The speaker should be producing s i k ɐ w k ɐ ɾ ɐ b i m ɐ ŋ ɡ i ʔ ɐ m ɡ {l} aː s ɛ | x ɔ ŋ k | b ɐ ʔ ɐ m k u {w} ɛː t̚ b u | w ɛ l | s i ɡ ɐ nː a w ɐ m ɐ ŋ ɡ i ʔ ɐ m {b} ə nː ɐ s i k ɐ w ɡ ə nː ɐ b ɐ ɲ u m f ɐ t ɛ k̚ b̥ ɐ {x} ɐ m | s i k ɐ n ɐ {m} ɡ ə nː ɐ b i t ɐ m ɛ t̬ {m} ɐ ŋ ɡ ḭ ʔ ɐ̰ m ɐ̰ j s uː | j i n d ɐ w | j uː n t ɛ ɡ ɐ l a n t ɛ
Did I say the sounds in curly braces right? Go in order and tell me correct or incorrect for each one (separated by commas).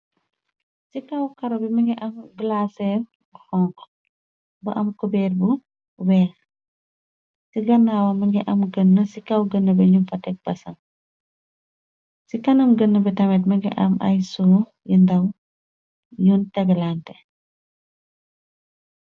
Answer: correct, incorrect, incorrect, incorrect, correct, correct